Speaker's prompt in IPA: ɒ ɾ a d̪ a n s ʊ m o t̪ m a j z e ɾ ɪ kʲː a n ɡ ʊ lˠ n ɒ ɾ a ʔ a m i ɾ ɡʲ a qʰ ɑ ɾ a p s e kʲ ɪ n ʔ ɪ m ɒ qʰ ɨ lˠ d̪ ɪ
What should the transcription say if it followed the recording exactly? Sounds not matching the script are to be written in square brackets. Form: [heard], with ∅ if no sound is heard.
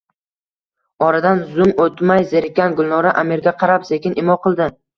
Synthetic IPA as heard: ɒ ɾ a d̪ a n [z] ʊ m o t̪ m a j z e ɾ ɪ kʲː a n ɡ ʊ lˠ n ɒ ɾ a ʔ a m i ɾ ɡʲ a qʰ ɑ ɾ a p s e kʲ ɪ n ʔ ɪ m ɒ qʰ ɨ lˠ d̪ ɪ